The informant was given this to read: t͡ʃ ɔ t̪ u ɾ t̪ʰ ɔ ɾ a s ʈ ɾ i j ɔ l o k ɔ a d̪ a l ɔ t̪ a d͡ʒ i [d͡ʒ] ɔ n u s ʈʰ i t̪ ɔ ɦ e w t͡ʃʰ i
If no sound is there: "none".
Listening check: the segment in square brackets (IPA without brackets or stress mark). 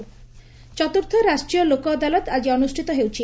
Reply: none